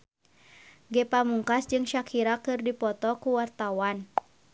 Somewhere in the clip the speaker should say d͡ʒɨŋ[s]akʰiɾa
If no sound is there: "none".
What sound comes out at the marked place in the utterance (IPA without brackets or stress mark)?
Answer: ʃ